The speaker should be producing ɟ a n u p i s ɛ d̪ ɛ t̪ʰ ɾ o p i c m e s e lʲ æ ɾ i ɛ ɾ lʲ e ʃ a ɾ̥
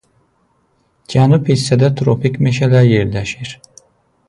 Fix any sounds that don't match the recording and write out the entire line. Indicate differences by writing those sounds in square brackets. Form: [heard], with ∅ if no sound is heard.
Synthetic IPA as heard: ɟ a n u p i s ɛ d̪ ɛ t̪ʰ ɾ o p i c m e [ʃ] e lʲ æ ɾ [j] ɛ ɾ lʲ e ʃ [i] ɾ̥